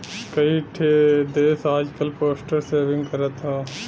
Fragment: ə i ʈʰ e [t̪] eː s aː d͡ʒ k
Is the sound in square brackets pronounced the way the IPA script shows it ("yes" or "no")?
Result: no